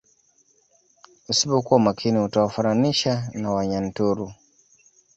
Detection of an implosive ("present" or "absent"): absent